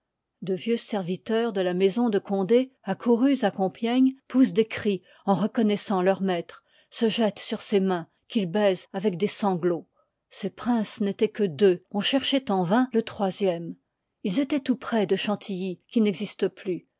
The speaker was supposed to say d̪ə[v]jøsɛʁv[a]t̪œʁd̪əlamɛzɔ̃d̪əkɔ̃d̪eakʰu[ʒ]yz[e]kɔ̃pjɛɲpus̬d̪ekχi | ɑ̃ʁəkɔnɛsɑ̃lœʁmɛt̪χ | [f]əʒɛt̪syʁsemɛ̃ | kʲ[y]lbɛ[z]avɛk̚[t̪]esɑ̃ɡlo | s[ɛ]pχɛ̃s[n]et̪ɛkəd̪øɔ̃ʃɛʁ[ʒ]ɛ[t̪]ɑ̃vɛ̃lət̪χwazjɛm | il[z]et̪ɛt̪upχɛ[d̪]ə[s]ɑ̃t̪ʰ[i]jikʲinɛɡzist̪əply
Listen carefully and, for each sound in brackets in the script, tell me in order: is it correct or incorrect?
correct, incorrect: i, incorrect: ʁ, incorrect: a, incorrect: s, incorrect: i, correct, incorrect: d̪, incorrect: e, correct, incorrect: ʃ, correct, correct, correct, incorrect: ʃ, correct

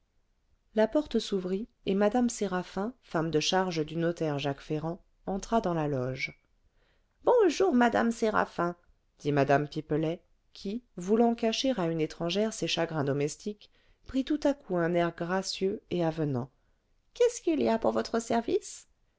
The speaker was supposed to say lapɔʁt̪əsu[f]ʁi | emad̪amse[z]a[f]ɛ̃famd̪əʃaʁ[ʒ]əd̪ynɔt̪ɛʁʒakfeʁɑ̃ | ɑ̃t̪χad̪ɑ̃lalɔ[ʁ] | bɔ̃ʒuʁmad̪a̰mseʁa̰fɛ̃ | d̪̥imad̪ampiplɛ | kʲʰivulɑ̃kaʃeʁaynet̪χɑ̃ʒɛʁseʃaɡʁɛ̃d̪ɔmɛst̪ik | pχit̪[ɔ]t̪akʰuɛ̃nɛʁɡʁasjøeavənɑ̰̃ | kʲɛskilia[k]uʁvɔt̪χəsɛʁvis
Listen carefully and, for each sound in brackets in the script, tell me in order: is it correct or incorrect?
incorrect: v, incorrect: ʁ, correct, correct, incorrect: ʒ, incorrect: u, incorrect: p

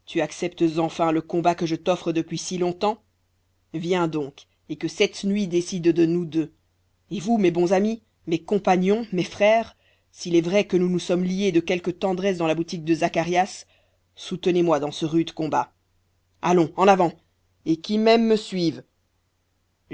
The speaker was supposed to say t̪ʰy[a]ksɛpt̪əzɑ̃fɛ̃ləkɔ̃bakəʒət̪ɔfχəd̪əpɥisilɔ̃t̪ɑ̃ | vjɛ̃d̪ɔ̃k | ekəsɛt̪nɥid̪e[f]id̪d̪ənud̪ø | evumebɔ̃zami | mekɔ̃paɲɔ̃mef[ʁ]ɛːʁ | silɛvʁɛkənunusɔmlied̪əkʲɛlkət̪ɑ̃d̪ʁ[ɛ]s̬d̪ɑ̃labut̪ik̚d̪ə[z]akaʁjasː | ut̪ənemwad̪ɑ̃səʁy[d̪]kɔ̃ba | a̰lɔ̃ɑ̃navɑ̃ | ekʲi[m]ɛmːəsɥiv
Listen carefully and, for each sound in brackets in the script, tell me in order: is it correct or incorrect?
correct, incorrect: s, incorrect: χ, correct, correct, correct, correct

